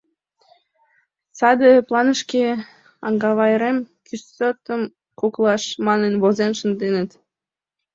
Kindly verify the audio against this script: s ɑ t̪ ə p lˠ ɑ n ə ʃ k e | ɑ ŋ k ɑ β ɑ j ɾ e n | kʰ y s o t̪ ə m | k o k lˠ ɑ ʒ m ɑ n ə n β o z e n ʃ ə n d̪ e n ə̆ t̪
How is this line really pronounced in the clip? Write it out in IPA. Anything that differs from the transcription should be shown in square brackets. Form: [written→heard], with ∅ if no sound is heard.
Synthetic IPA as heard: s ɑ [t̪→d̪] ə p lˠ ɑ n ə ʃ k e | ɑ ŋ [k→ɡ] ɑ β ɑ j ɾ e [n→m] | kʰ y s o t̪ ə m | k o k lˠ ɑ [ʒ→ʃ] m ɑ n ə n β o z e n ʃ ə n d̪ e n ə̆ t̪